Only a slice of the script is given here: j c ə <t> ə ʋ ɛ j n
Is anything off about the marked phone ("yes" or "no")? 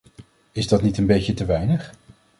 no